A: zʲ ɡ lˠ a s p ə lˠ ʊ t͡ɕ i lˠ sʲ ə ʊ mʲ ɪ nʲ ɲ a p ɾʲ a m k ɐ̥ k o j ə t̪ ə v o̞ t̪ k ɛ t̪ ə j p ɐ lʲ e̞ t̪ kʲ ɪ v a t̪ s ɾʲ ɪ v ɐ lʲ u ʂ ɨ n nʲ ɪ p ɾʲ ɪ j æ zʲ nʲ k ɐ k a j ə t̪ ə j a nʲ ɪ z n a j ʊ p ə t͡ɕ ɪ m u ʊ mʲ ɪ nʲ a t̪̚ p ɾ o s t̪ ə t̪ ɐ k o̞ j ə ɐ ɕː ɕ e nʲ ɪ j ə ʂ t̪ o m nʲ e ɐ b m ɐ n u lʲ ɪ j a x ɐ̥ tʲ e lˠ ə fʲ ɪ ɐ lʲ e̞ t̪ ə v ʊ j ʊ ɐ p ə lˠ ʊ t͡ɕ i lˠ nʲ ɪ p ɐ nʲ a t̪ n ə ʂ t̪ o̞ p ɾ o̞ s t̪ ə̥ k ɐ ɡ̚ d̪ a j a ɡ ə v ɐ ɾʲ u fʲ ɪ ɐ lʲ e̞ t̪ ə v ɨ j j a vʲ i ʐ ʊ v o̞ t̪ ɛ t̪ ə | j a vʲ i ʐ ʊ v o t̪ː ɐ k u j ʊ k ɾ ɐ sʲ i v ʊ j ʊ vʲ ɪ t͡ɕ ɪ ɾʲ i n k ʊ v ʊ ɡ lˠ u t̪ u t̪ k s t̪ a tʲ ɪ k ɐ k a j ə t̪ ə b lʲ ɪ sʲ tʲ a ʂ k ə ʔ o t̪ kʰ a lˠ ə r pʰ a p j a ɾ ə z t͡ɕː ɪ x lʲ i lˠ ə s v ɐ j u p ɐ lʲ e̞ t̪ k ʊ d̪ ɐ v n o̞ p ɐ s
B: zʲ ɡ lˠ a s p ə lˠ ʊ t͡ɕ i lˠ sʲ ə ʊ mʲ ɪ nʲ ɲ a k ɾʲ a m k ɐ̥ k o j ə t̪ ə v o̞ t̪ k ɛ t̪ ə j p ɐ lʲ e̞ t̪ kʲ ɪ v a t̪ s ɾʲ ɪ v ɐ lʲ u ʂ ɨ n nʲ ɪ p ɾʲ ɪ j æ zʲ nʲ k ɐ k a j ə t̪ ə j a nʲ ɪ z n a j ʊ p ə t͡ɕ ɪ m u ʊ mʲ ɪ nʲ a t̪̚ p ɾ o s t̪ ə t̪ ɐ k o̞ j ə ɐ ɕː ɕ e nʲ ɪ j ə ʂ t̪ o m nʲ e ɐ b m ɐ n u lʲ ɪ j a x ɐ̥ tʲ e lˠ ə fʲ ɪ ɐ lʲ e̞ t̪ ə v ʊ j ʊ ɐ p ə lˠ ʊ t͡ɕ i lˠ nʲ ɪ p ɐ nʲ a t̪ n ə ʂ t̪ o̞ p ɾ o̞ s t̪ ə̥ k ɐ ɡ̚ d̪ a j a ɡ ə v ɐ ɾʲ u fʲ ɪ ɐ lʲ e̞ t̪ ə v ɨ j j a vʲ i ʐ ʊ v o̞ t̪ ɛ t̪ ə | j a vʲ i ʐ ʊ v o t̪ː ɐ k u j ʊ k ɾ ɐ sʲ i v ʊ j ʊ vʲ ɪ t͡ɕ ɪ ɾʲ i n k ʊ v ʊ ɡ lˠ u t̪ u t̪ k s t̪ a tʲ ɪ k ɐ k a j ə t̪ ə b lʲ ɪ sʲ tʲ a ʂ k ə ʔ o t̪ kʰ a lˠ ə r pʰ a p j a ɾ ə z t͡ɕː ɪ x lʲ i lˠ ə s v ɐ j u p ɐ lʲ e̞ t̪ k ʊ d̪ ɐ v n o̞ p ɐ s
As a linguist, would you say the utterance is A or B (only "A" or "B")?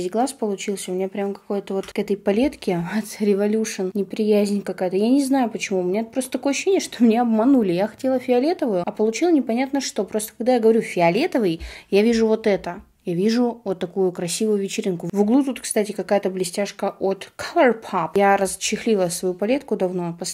A